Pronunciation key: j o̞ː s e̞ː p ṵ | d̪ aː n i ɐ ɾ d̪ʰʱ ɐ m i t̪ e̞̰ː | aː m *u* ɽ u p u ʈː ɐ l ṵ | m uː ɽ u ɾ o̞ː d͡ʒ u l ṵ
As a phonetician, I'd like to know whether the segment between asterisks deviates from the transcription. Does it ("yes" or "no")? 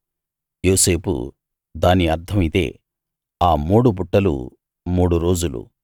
yes